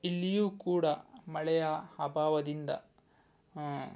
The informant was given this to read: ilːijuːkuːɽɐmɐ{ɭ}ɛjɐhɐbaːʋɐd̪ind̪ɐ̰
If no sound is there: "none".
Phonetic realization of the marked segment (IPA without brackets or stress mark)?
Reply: ɭ